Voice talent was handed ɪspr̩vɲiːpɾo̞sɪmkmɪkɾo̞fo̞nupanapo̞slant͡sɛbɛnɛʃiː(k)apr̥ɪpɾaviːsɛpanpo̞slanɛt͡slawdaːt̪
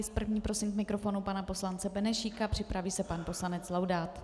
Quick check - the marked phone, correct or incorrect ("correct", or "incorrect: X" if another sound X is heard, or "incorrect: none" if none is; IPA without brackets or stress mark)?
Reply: correct